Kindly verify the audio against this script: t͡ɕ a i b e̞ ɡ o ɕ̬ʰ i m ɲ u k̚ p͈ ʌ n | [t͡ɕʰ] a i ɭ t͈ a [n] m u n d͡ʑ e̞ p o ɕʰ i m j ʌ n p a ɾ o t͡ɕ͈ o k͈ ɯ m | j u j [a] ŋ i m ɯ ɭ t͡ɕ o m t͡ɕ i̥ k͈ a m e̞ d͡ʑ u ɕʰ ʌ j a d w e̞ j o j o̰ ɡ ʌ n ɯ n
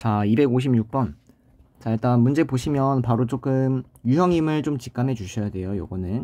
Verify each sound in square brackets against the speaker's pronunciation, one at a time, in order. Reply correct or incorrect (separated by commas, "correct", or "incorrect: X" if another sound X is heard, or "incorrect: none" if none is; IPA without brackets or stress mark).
incorrect: t͡ɕ, correct, incorrect: ʌ